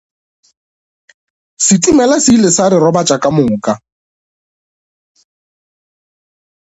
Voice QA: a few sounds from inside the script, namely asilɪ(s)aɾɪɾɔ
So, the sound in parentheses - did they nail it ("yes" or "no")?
yes